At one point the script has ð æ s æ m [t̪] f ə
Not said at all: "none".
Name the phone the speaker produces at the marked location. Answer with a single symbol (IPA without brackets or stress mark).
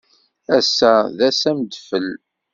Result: d̪